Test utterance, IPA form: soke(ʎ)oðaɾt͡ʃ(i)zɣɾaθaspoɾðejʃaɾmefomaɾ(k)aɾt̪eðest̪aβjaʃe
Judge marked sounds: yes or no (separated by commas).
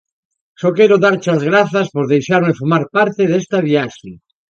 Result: no, no, no